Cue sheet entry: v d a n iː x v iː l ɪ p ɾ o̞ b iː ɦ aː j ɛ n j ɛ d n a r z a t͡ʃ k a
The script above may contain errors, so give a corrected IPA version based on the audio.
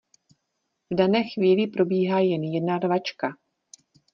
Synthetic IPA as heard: v d a n ɛː x v iː l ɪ p ɾ o̞ b iː ɦ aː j ɛ n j ɛ d n a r v a t͡ʃ k a

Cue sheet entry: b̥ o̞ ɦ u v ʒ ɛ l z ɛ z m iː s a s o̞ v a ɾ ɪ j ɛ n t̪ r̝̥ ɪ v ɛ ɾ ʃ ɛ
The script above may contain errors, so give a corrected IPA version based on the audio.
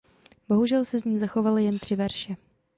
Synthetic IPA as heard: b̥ o̞ ɦ u ʒ ɛ l s ɛ z ɲ iː z a x o̞ v a l ɪ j ɛ n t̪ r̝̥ ɪ v ɛ ɾ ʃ ɛ

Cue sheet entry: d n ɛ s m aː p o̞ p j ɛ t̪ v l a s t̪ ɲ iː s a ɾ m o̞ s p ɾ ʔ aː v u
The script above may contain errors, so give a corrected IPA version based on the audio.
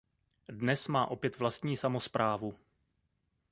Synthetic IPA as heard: d n ɛ s m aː ʔ o̞ p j ɛ t̪ v l a s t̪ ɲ iː s a m o̞ s p ɾ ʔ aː v u

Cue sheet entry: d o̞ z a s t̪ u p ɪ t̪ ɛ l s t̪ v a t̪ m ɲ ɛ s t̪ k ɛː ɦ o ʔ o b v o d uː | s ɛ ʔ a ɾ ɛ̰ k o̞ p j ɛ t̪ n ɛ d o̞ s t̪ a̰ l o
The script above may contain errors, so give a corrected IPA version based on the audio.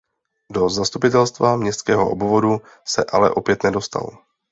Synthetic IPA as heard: d o̞ z a s t̪ u p ɪ t̪ ɛ l s t̪ v a m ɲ ɛ s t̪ k ɛː ɦ o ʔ o b v o d u | s ɛ ʔ a l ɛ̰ ʔ o̞ p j ɛ t̪ n ɛ d o̞ s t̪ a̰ l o

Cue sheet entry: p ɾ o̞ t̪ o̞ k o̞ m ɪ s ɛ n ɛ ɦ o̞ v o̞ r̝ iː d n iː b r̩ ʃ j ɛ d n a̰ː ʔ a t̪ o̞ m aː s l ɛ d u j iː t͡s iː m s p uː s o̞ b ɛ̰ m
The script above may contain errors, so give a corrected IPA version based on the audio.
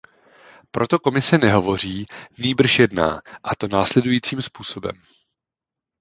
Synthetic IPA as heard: p ɾ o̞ t̪ o̞ k o̞ m ɪ s ɛ n ɛ ɦ o̞ v o̞ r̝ iː n iː b r̩ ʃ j ɛ d n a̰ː ʔ a t̪ o̞ n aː s l ɛ d u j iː t͡s iː m s p uː s o̞ b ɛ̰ m

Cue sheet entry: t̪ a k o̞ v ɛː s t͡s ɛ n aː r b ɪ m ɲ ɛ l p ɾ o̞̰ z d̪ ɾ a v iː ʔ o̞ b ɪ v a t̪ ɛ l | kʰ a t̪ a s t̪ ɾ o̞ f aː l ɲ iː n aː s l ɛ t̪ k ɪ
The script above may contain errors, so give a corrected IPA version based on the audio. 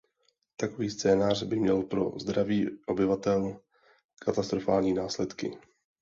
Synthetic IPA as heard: t̪ a k o̞ v iː s t͡s ɛː n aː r b ɪ m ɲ ɛ l p ɾ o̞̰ z d̪ ɾ a v iː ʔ o̞ b ɪ v a t̪ ɛ l | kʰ a t̪ a s t̪ ɾ o̞ f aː l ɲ iː n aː s l ɛ t̪ k ɪ

